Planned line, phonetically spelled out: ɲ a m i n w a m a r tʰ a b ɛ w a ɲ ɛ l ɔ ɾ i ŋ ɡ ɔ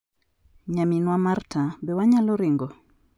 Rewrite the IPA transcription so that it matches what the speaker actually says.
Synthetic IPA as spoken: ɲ a m i n w a m a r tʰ a b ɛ w a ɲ a l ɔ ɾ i ŋ ɡ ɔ